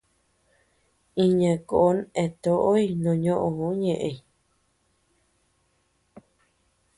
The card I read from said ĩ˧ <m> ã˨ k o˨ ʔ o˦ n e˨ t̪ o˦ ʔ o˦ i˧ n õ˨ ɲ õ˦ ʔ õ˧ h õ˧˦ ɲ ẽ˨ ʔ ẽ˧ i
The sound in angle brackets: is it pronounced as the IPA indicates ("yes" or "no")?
no